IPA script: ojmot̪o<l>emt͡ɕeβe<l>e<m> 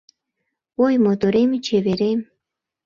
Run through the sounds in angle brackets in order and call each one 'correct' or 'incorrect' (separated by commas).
incorrect, incorrect, correct